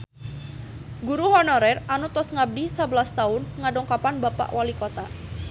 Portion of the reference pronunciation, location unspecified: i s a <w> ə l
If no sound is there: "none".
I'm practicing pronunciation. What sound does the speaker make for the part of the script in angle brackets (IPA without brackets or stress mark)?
b